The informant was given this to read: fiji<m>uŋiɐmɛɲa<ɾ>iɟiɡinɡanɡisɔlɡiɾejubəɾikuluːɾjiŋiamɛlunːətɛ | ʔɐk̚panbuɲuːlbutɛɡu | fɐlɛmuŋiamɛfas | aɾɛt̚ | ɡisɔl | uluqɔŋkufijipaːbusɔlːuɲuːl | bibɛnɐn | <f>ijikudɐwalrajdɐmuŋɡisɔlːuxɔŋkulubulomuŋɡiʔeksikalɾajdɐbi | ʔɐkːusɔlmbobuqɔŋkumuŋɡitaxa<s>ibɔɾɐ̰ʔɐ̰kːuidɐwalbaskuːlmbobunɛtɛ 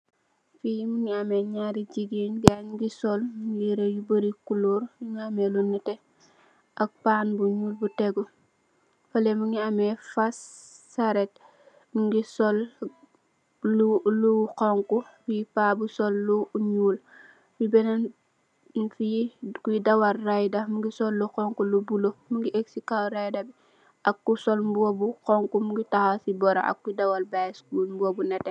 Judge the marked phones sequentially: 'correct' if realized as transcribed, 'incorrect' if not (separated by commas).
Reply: correct, correct, correct, correct